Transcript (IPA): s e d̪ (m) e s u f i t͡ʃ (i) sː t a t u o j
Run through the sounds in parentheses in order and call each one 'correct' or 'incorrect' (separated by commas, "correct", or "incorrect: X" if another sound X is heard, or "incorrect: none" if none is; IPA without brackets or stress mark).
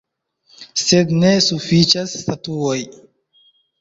incorrect: n, incorrect: a